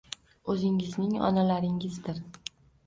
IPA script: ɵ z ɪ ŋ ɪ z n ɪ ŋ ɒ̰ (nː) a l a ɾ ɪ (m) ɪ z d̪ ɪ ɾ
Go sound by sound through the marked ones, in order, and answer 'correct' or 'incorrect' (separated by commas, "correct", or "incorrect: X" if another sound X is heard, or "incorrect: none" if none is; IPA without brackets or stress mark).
incorrect: n, incorrect: ŋ